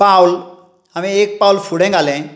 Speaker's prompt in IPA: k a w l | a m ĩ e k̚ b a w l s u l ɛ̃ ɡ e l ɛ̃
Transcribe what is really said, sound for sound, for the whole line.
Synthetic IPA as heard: p a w l | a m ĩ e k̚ p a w l f u ɽ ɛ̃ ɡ a l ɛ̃